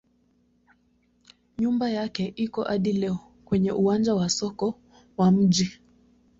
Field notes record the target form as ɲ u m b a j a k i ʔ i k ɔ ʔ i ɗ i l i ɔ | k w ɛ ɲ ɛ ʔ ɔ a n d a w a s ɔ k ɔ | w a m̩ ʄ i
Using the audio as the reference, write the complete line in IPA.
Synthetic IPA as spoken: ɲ u m b a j a k ɛ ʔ i k ɔ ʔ a ɗ i l ɛ ɔ | k w ɛ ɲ ɛ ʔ u a n d͡ʒ a w a s ɔ k ɔ | w a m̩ ʄ i